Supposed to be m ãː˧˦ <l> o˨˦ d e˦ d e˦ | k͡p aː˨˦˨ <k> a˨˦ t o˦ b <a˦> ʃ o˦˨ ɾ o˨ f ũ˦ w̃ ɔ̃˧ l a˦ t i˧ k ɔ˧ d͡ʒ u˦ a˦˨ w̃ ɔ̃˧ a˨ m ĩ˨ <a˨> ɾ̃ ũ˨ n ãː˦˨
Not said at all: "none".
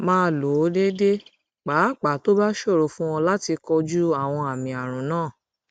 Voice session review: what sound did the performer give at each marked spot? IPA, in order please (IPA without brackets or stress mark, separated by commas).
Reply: l, k͡p, a˦, a˨